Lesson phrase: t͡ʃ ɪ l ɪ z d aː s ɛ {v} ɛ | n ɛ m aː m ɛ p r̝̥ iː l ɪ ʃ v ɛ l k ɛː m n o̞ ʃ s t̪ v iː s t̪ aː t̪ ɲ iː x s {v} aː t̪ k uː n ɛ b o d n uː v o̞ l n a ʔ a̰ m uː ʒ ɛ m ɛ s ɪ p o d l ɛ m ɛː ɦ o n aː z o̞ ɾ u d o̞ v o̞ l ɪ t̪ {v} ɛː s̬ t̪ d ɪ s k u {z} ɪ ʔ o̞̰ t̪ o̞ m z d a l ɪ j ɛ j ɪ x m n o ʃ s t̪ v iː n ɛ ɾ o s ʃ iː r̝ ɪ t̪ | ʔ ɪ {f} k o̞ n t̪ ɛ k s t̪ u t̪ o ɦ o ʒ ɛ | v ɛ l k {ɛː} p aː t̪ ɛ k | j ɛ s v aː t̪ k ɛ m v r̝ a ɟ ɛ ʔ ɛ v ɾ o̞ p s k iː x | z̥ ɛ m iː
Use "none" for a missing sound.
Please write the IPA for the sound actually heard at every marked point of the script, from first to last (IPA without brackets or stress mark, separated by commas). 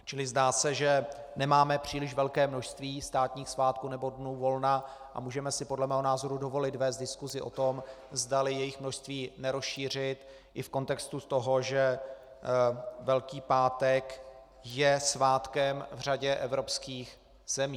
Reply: ʒ, v, v, z, f, iː